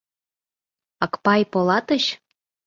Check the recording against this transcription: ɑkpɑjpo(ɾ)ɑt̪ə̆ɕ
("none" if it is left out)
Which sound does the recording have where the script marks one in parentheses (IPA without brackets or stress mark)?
l